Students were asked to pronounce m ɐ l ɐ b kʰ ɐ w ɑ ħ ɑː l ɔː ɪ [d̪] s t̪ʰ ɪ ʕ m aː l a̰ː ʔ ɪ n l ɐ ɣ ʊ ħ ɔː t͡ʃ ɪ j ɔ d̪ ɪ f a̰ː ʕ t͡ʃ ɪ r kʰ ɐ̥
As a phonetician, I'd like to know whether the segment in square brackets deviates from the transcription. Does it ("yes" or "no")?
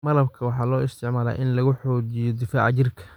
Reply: yes